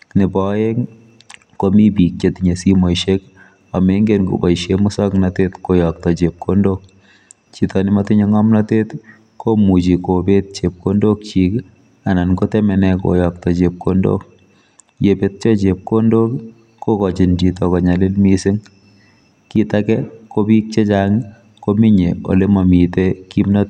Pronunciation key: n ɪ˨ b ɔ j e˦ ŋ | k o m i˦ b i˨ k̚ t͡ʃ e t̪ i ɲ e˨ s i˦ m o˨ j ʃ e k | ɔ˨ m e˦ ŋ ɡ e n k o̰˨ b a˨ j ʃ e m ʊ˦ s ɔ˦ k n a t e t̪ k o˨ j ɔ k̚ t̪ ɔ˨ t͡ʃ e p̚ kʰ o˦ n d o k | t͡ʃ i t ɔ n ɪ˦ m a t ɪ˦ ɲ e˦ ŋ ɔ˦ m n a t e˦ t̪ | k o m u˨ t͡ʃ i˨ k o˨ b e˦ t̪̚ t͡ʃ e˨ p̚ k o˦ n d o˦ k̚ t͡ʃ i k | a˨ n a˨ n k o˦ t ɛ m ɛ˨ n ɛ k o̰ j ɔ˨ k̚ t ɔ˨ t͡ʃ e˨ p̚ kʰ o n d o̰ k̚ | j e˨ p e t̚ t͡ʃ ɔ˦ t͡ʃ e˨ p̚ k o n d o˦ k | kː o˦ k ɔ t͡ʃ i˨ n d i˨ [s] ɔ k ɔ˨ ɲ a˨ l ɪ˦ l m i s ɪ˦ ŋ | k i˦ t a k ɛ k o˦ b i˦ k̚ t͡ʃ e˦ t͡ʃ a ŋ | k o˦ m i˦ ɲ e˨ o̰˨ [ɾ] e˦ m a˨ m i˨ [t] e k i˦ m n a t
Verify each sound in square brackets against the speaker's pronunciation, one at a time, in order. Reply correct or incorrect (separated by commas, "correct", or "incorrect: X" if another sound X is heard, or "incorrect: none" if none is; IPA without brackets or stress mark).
incorrect: t, incorrect: l, correct